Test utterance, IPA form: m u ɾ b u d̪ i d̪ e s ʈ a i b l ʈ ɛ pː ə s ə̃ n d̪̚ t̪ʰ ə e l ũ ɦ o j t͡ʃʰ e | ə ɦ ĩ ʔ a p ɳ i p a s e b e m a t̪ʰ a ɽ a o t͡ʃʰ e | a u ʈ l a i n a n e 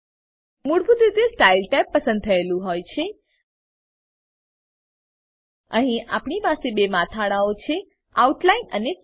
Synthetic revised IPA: m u ɽ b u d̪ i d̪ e s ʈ a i l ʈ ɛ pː ə s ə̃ n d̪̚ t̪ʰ ə e l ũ ɦ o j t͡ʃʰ e | ə ɦ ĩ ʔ a p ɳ i p a s e b e m a t̪ʰ a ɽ a o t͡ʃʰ e | a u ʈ l a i n ə n e